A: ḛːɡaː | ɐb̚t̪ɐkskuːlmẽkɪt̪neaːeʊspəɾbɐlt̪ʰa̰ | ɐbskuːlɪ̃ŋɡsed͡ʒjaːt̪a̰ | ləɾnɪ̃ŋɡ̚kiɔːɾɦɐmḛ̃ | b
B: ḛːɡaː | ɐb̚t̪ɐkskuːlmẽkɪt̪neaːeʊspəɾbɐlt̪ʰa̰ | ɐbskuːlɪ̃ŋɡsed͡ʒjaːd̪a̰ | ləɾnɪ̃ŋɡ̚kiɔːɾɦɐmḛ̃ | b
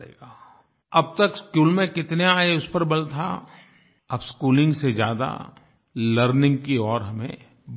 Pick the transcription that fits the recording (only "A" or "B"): B